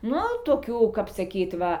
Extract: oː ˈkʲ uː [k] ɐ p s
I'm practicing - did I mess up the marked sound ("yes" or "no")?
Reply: no